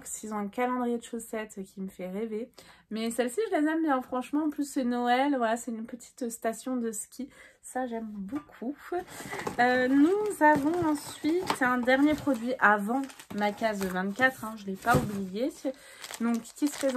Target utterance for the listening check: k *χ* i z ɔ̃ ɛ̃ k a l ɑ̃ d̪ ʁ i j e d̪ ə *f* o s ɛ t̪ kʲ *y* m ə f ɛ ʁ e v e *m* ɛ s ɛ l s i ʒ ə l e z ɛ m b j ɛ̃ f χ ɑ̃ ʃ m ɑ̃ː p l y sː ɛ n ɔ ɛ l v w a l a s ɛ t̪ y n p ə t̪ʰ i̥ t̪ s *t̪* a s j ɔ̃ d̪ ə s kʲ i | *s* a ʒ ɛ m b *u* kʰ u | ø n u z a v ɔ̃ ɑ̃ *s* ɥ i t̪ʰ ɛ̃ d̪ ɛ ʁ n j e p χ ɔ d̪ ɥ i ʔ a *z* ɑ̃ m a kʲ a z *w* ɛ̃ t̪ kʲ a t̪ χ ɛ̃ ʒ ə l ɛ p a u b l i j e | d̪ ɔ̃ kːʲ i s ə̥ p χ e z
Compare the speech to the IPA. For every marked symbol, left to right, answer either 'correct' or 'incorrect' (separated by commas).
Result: incorrect, incorrect, incorrect, correct, correct, correct, incorrect, correct, incorrect, incorrect